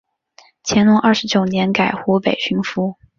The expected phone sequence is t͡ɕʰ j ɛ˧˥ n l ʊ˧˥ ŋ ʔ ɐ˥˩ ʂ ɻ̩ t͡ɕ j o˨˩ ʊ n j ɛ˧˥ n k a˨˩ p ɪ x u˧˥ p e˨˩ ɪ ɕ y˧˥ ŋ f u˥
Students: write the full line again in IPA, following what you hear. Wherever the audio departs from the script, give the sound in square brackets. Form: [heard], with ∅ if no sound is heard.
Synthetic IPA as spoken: t͡ɕʰ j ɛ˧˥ n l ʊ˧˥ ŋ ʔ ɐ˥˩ ʂ ɻ̩ t͡ɕ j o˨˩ ʊ n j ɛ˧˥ n k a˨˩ [∅] ɪ x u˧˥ p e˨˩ ɪ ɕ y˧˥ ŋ f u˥